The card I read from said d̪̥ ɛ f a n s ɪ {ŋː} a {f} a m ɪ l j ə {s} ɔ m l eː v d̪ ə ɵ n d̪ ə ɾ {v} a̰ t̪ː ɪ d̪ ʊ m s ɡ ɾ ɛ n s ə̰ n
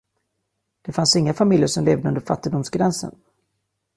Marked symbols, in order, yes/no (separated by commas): yes, yes, no, no